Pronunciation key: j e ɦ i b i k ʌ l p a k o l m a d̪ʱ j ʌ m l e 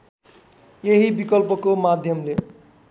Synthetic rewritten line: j e ɦ i b i k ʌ l p ʌ k o m a d̪ʱ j ʌ m l e